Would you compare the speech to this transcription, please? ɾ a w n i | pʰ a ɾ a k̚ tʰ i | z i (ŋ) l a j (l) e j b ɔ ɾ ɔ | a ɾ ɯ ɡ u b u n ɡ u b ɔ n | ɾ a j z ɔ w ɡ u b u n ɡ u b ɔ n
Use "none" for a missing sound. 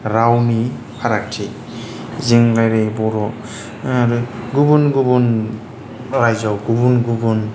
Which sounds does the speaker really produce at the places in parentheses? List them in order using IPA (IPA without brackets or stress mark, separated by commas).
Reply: ŋ, ɾ